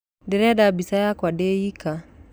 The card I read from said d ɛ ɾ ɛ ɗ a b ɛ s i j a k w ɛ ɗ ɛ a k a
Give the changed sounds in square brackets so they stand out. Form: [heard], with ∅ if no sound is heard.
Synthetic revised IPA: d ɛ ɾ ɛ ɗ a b [i] s [a] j a k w [a] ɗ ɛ [i] k a